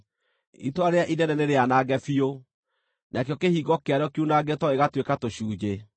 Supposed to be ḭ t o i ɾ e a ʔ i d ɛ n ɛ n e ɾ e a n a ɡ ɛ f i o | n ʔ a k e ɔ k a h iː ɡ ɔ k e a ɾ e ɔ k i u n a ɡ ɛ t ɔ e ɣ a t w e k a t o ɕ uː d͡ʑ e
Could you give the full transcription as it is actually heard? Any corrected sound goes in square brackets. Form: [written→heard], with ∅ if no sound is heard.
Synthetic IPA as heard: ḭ t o [i→a] ɾ e a ʔ i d ɛ n ɛ n e ɾ e a n a ɡ ɛ f i o | n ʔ a k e ɔ k [a→e] h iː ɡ ɔ k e a ɾ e ɔ k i u n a ɡ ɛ t ɔ e ɣ a t w e k a t o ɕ uː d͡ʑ e